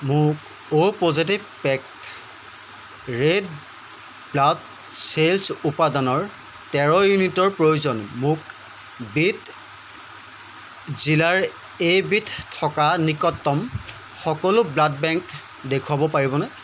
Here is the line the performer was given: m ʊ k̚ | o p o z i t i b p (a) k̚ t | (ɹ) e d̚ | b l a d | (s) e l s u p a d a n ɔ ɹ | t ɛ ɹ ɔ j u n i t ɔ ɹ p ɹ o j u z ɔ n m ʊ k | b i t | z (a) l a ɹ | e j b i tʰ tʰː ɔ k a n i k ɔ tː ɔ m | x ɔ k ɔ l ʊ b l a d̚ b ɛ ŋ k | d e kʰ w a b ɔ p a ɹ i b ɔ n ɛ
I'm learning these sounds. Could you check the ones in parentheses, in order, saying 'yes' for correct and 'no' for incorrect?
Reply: no, yes, yes, no

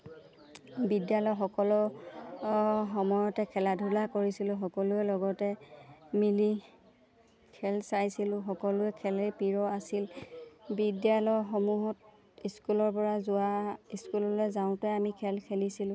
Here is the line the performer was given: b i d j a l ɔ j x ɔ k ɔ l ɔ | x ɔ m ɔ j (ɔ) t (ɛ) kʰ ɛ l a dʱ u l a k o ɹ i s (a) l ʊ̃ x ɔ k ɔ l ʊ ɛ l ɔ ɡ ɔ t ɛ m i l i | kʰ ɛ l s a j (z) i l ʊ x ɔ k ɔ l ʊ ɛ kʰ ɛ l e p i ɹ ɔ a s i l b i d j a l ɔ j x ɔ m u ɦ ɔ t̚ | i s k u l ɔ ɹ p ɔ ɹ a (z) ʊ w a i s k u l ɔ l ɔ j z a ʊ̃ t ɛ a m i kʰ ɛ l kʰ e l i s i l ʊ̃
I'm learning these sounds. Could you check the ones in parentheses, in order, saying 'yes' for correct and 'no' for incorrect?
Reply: yes, yes, no, no, yes

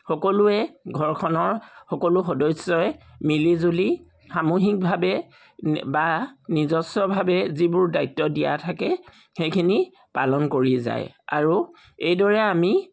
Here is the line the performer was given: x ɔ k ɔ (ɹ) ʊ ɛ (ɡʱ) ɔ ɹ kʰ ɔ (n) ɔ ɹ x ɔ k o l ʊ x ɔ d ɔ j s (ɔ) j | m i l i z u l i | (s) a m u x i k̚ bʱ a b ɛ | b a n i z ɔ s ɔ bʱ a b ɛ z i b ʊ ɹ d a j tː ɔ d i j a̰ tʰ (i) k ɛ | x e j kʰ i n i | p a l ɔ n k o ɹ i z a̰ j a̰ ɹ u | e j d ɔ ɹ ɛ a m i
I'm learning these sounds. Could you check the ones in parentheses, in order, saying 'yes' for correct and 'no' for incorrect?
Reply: no, yes, yes, yes, no, no

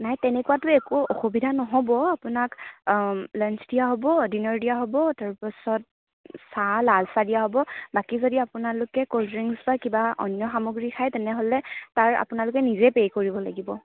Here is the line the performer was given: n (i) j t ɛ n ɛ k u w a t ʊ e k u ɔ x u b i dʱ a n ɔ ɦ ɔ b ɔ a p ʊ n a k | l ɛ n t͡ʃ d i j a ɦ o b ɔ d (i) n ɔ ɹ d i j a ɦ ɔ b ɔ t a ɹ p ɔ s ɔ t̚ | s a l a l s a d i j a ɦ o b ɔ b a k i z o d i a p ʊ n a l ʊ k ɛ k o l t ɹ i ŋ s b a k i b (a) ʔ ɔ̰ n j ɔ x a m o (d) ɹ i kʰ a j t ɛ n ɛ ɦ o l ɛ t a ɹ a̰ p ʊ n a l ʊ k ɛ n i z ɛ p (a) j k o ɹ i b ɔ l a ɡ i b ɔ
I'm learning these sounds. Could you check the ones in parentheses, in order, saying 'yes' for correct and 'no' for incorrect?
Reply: no, yes, yes, no, no

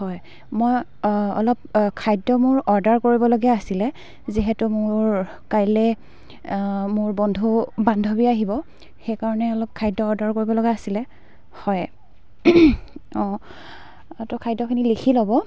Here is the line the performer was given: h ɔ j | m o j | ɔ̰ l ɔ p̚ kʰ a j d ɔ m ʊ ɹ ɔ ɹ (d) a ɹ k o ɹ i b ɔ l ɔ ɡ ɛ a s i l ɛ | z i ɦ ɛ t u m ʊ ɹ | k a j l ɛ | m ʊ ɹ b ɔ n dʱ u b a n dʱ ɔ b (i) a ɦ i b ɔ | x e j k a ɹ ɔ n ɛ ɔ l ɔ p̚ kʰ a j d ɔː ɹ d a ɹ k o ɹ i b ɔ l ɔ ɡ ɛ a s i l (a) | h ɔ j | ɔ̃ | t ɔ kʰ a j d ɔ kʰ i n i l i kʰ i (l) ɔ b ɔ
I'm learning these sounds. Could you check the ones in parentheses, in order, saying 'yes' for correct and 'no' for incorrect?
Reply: yes, yes, no, yes

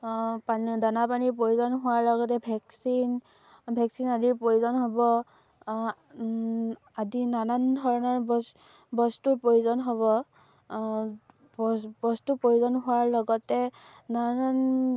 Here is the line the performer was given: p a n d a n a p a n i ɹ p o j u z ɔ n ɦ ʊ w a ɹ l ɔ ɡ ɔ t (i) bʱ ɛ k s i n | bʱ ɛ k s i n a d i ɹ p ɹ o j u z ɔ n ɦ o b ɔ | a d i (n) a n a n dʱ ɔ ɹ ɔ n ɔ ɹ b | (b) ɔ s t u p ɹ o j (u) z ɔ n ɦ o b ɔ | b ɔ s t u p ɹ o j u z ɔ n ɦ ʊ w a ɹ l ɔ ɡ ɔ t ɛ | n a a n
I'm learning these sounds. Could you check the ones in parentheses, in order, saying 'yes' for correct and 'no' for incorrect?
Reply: no, yes, yes, yes

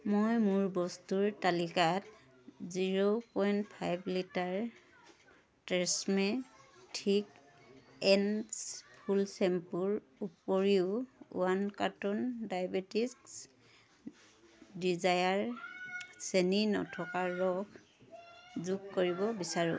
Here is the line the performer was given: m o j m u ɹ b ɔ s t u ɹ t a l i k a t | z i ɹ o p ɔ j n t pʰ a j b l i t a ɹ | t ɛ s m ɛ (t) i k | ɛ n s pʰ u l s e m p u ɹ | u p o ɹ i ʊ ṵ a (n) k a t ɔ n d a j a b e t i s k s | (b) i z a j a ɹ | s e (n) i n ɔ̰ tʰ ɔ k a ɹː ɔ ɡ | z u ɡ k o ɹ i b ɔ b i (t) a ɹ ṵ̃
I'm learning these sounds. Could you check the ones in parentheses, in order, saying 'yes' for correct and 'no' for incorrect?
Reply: no, yes, no, yes, no

